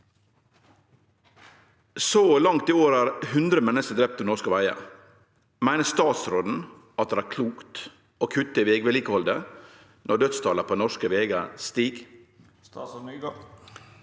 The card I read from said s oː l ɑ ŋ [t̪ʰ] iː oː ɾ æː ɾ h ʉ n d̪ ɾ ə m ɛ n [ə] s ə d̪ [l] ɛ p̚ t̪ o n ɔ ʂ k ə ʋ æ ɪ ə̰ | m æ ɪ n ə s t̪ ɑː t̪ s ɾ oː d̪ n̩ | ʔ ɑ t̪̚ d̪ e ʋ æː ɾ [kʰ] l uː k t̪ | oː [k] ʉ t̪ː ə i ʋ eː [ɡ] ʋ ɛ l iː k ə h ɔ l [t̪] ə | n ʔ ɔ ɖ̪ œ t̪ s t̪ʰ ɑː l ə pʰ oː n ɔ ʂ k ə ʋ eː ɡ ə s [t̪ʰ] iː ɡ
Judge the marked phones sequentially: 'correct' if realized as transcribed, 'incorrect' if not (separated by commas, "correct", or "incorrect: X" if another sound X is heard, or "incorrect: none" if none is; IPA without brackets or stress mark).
incorrect: t̪, correct, incorrect: ɾ, correct, incorrect: kʰ, correct, incorrect: d̪, incorrect: t̪